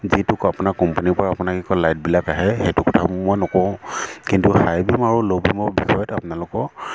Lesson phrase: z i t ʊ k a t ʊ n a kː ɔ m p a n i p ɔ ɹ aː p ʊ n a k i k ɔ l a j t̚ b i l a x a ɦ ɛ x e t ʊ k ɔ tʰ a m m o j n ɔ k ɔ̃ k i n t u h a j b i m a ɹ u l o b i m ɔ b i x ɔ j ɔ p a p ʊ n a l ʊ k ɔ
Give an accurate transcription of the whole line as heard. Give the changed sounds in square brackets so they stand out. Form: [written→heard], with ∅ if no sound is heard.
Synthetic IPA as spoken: z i t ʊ k a [t→p] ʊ n a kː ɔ m p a n i p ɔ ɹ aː p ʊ n a k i k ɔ l a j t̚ b i l a [x→k] a ɦ ɛ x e t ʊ k ɔ tʰ a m m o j n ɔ k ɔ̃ k i n t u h a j b i m a ɹ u l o b i m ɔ b i x ɔ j ɔ [p→t] a p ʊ n a l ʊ k ɔ